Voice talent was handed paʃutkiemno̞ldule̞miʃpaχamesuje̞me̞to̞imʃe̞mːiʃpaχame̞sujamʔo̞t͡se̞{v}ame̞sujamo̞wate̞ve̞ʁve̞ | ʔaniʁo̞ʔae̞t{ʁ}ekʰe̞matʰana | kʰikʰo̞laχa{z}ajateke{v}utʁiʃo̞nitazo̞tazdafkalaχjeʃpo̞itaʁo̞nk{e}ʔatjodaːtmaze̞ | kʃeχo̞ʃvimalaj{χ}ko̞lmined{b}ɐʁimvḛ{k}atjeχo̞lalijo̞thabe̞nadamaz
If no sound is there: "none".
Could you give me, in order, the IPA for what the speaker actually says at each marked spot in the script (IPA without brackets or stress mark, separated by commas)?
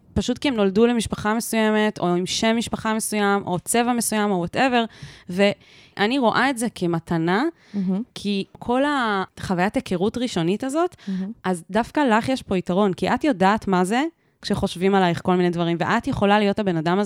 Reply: v, z, v, ʁ, i, χ, v, ʔ